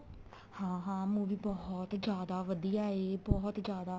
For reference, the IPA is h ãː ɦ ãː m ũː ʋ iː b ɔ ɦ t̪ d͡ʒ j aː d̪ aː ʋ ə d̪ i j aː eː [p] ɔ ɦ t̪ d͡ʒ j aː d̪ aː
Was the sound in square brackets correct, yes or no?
no